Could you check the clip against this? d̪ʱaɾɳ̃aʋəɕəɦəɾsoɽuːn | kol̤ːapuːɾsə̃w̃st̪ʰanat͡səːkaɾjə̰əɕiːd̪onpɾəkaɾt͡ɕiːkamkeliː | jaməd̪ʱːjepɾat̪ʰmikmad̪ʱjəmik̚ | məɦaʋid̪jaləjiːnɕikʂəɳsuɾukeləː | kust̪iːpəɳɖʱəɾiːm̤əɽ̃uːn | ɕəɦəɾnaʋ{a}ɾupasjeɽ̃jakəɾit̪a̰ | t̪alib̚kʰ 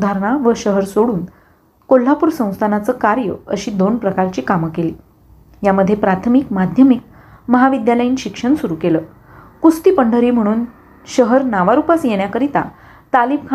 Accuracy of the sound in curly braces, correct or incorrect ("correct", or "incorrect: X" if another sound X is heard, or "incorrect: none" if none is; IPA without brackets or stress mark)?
correct